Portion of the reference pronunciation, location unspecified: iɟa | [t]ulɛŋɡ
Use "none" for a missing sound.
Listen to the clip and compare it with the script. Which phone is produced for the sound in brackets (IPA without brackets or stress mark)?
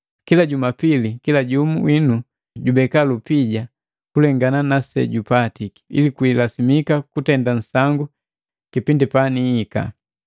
k